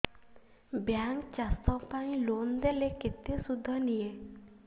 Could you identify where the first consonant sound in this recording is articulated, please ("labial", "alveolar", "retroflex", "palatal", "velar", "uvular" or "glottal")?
labial